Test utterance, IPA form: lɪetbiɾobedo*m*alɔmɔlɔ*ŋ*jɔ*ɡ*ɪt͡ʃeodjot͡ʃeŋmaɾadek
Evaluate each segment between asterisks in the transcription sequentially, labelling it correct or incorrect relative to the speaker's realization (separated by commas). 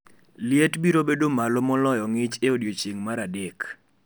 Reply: correct, incorrect, incorrect